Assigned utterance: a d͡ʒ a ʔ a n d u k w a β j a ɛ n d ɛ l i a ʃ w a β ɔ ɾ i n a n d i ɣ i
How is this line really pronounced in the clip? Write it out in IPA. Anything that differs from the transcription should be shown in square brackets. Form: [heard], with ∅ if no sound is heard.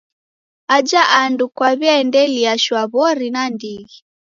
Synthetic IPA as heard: a d͡ʒ a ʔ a n d u k w a β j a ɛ n d ɛ l i a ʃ w a β ɔ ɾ i n a n d i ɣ i

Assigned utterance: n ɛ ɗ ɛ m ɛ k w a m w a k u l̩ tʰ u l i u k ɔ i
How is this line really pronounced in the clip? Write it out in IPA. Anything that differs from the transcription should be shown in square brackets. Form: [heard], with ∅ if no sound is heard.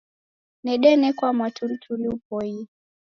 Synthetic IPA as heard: n ɛ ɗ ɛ [n] ɛ k w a m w a [t] u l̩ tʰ u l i u [p] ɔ i

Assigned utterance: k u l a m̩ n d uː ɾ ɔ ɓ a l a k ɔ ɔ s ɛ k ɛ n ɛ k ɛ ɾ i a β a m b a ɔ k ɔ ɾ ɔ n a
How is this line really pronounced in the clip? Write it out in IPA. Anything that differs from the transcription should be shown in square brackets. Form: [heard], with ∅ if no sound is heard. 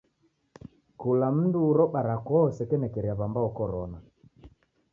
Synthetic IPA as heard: k u l a m̩ n d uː ɾ ɔ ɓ a [ɾ] a k ɔ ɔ s ɛ k ɛ n ɛ k ɛ ɾ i a β a m b a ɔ k ɔ ɾ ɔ n a

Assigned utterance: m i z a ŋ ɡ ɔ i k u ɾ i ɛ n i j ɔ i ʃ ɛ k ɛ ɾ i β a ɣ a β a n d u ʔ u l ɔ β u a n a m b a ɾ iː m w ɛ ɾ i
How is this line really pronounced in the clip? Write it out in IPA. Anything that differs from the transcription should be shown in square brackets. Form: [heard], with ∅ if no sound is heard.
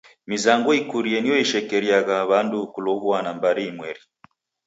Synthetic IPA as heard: m i z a ŋ ɡ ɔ i k u ɾ i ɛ n i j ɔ i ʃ ɛ k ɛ ɾ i [∅] a ɣ a β a n d u [k] u l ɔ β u a n a m b a ɾ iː m w ɛ ɾ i

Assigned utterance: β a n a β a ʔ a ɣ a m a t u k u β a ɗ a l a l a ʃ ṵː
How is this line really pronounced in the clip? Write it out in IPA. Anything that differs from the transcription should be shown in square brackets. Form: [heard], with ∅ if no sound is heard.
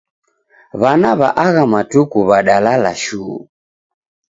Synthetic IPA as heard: β a n a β a ʔ a ɣ a m a t u k u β a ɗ a l a l a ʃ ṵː

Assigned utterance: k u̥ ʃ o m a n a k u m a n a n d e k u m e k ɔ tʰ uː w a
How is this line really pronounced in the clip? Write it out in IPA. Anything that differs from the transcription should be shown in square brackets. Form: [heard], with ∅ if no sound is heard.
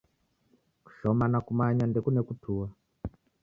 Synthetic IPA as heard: k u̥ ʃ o m a n a k u m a [ɲ] a n d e k u [n] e k [u] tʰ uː w a

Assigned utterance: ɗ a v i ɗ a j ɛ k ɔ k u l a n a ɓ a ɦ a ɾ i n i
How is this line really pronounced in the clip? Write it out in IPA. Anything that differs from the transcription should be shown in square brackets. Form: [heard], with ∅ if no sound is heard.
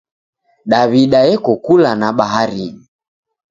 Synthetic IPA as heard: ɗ a [β] i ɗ a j ɛ k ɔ k u l a n a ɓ a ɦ a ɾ i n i

